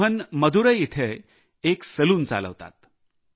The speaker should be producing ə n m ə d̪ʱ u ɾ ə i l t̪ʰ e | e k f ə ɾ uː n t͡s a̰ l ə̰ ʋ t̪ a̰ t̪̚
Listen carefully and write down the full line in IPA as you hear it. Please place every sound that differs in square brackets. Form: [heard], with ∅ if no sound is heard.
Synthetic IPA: ə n m ə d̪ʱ u ɾ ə i [∅] t̪ʰ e | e k [s] ə [l] uː n t͡s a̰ l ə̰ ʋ t̪ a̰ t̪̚